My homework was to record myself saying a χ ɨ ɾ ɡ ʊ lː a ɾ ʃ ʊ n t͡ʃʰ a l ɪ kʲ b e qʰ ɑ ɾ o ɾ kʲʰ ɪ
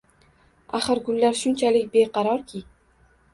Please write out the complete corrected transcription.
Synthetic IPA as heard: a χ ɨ ɾ ɡ ʊ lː a ɾ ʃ ʊ n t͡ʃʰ a l ɪ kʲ b e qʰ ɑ ɾ ɒ ɾ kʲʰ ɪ